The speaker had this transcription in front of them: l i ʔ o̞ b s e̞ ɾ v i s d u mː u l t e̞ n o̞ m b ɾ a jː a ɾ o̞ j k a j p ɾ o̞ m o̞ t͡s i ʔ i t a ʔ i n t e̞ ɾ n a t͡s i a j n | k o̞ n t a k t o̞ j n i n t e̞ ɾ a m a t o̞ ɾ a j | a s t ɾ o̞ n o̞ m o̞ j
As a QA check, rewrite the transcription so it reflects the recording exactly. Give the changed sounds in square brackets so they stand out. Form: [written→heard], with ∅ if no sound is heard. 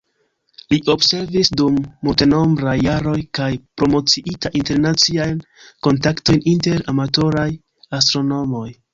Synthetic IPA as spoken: l i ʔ o̞ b s e̞ ɾ v i s d u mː u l t e̞ n o̞ m b ɾ a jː a ɾ o̞ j k a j p ɾ o̞ m o̞ t͡s i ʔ i t a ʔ i n t e̞ ɾ n a t͡s i a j n | k o̞ n t a k t o̞ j n i n t e̞ ɾ a m a t o̞ ɾ a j | a s t ɾ o̞ n o̞ m o̞ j